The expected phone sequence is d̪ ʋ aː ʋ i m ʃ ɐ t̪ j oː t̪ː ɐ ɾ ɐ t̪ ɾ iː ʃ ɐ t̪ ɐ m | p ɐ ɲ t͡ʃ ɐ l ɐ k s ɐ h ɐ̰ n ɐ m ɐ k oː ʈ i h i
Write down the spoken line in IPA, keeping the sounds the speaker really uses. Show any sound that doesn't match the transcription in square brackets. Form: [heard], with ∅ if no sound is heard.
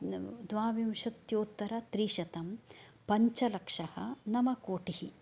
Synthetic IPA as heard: d̪ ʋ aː ʋ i m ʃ ɐ t̪ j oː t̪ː ɐ ɾ ɐ t̪ ɾ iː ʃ ɐ t̪ ɐ m | p ɐ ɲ t͡ʃ ɐ l ɐ k [ʂ] ɐ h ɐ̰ n ɐ m ɐ k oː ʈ i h i